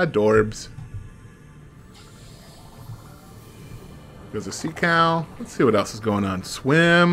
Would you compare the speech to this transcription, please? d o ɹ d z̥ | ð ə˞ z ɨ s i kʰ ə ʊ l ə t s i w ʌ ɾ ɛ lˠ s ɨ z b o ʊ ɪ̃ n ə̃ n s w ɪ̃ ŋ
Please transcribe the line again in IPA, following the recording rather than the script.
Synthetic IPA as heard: d ɔ ɹ b z̥ | ð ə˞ z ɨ s i kʰ a ʊ l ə t s i w ʌ ɾ ɛ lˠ s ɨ z ɡ o ʊ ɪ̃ ŋ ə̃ n s w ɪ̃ m